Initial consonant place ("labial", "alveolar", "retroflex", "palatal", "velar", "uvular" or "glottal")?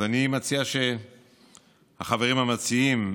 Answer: alveolar